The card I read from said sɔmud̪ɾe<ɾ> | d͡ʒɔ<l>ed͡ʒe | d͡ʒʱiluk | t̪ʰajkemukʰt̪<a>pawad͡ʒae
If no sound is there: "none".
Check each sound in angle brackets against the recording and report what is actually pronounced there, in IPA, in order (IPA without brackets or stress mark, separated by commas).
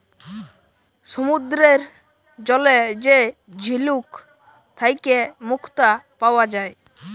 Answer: ɾ, l, a